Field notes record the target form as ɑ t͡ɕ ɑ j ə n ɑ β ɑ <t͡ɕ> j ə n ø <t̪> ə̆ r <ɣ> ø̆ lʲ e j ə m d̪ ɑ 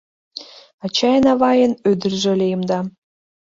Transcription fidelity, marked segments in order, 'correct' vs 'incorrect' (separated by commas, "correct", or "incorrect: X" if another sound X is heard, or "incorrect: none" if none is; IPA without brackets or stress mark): incorrect: none, incorrect: d̪, incorrect: ʒ